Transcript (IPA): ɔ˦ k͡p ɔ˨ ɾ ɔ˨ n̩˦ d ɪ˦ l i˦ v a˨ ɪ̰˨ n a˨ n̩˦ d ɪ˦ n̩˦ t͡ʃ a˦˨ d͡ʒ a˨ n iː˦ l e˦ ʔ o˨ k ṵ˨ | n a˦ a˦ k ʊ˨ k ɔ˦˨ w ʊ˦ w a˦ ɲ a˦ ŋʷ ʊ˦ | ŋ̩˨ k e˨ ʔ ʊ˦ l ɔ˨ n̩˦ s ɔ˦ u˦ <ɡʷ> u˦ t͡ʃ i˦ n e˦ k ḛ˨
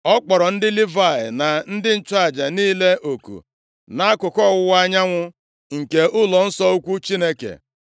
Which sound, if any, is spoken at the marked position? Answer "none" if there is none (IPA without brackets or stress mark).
kʷ